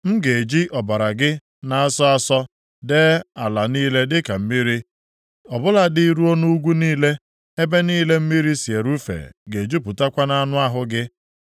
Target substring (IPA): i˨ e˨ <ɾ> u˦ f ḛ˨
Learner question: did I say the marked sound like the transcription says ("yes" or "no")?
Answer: yes